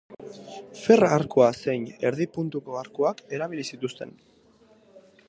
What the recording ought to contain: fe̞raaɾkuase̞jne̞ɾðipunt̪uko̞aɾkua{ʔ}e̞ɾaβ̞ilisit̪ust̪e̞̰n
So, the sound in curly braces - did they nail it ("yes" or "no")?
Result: no